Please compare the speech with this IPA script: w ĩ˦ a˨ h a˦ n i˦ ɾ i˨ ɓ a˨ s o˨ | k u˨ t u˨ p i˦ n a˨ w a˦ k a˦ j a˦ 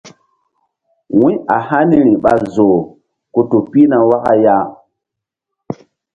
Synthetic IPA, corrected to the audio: w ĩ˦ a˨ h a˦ n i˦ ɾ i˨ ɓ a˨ z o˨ | k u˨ t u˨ p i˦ n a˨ w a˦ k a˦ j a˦